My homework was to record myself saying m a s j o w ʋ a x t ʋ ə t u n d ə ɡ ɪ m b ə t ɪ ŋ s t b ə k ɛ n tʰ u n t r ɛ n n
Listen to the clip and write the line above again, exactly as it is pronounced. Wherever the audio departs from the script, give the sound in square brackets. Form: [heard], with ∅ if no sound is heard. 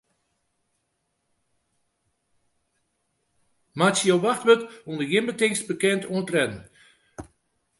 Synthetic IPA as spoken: m a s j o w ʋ a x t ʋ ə t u n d ə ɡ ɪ m b ə t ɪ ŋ s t b ə k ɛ n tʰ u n t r ɛ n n